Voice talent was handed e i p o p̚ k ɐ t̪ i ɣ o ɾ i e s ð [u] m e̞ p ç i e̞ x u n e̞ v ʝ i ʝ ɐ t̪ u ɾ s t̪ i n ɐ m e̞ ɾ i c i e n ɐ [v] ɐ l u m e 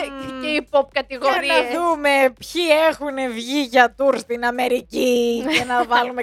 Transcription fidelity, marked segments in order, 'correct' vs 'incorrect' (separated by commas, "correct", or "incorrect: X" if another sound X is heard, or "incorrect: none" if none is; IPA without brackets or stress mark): correct, correct